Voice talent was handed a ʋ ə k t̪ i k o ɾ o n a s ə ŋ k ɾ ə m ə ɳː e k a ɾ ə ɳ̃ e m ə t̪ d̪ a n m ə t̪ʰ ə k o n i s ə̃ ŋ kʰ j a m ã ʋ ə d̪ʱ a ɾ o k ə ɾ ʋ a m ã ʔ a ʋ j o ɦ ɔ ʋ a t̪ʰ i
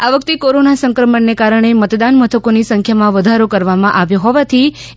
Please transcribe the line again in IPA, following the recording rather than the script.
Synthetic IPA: a ʋ ə k t̪ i k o ɾ o n a s ə ŋ k ɾ ə m ə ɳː e k a ɾ ə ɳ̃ e m ə t̪ d̪ a n m ə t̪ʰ ə k o n i s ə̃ ŋ kʰ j a m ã ʋ ə d̪ʱ a ɾ o k ə ɾ ʋ a m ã ʔ a ʋ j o ɦ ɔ ʋ a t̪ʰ i